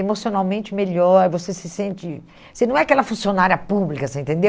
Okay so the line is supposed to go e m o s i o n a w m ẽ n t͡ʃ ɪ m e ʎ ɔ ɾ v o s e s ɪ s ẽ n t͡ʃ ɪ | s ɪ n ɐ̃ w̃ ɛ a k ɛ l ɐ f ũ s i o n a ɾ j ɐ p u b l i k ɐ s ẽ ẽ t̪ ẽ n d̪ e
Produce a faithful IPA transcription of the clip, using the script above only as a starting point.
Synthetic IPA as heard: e m o s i o n a w m ẽ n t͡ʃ ɪ m e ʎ ɔ ɾ v o s e s ɪ s ẽ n t͡ʃ ɪ | s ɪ n ɐ̃ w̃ ɛ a k ɛ l ɐ f ũ s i o n a ɾ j ɐ p u b l i k ɐ s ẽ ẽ t̪ ẽ n d̪ e